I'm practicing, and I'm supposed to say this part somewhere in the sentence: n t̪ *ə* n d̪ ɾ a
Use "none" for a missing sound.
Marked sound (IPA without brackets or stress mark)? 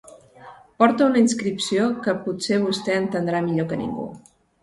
ə